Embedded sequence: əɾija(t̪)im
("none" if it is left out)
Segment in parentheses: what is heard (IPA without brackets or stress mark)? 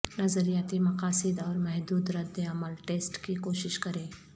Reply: t̪